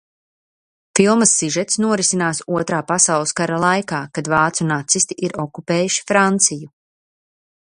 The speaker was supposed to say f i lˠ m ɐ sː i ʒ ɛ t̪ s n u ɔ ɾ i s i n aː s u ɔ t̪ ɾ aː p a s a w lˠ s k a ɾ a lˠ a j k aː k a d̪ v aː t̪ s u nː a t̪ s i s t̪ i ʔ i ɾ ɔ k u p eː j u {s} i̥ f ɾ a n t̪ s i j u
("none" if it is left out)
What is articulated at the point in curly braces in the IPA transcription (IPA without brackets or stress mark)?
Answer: ʃ